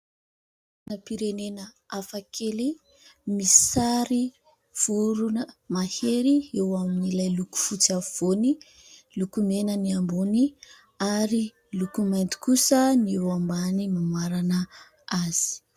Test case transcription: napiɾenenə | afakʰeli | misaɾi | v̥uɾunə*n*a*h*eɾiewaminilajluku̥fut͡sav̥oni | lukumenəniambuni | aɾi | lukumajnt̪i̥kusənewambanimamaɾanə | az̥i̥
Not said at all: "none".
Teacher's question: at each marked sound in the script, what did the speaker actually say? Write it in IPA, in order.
m, h

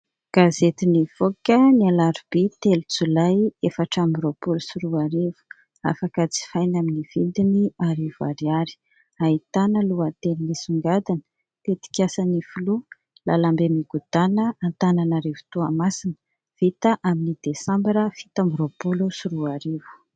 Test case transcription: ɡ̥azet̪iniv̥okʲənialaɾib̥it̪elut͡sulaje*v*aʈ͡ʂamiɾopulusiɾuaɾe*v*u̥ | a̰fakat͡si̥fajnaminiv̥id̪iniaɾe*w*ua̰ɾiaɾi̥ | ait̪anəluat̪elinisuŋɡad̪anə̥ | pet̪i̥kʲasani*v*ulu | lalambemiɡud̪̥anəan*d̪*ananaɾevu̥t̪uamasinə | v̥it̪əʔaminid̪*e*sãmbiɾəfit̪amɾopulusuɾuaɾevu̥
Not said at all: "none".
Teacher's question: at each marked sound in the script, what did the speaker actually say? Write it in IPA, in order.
f, v, v, f, t̪, e

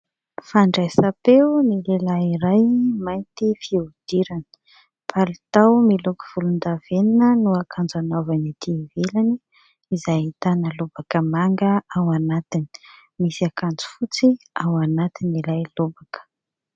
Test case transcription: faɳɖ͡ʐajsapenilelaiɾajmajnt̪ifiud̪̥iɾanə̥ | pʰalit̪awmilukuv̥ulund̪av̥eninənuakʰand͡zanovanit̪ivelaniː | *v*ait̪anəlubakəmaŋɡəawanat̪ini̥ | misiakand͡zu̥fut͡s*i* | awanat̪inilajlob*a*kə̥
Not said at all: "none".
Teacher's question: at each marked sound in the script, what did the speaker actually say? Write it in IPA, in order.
z, i, a

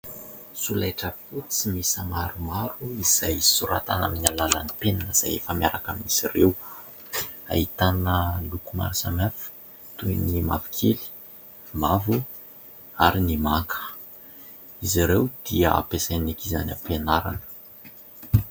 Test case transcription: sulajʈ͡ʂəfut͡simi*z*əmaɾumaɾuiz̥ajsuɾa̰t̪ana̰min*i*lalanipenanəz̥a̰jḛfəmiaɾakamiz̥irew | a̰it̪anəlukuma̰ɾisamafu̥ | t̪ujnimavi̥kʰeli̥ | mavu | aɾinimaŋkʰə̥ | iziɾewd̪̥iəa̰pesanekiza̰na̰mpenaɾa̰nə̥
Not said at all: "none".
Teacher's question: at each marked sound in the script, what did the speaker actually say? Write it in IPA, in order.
s, a

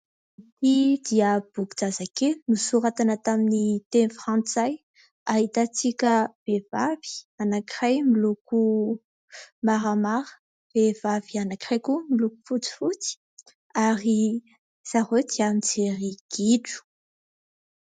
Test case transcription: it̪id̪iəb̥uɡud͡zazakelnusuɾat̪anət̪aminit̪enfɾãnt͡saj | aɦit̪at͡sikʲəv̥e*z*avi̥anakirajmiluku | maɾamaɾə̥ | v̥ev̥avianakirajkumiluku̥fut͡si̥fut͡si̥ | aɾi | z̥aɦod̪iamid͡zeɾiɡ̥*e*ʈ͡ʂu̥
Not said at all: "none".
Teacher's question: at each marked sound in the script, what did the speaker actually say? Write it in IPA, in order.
v, i

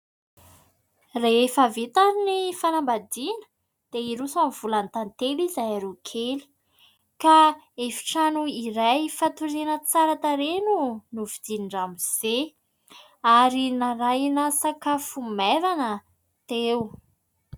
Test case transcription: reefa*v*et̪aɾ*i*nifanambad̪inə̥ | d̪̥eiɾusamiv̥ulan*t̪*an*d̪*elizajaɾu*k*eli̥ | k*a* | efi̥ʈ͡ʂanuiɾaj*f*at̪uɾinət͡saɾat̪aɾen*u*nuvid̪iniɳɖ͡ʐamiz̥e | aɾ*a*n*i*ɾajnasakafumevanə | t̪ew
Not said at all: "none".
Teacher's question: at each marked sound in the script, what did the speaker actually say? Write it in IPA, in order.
v, i, t̪, t̪, kʰ, a, f, u, i, a

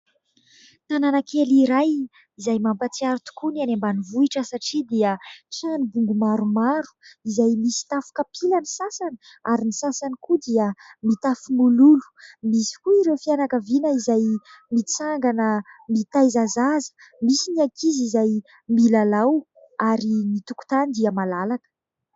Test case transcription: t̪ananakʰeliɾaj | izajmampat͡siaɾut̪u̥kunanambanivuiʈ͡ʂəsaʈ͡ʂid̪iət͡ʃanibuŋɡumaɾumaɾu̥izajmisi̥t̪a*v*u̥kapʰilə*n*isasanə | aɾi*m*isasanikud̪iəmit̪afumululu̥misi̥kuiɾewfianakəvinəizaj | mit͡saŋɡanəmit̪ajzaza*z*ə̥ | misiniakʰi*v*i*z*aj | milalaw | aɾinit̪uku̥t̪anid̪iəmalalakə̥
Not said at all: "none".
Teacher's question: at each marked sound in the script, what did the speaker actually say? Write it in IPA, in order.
f, n, n, z, z, z

